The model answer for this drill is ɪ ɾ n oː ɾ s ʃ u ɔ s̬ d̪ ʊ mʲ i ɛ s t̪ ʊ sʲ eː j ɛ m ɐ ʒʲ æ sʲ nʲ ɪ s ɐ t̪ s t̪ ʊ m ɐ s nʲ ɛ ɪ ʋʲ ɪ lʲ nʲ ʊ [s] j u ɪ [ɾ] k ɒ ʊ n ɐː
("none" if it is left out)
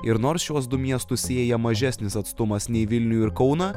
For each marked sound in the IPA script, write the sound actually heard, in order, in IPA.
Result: none, ɾ

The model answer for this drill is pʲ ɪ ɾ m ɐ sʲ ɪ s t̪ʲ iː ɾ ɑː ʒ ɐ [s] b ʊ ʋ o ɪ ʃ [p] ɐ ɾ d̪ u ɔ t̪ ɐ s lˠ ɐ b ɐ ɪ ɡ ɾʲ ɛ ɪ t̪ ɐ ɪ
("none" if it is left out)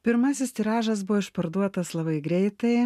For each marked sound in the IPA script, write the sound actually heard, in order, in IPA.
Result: s, p

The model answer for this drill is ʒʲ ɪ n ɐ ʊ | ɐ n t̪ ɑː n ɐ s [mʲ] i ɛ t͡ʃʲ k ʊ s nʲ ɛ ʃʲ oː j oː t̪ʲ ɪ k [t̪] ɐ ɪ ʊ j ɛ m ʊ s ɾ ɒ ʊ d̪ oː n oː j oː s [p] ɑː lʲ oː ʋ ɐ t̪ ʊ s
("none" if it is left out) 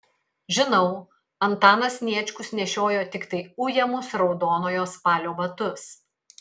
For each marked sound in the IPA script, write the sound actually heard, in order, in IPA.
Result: nʲ, t̪, p

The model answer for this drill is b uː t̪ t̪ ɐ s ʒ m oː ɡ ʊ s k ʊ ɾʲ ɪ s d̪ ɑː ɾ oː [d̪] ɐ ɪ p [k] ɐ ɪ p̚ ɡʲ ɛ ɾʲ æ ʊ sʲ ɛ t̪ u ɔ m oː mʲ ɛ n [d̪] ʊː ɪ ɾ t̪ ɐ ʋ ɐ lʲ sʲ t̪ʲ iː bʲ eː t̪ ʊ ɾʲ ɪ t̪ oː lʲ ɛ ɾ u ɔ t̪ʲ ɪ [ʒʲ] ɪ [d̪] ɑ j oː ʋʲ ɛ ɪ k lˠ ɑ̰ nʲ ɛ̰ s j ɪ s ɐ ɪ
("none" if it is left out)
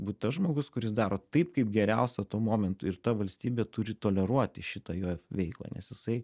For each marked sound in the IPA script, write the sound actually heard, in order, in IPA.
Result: t̪, k, t̪, ʃʲ, t̪

